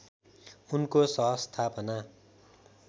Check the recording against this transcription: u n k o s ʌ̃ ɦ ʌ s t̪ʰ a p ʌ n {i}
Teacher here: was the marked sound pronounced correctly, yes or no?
no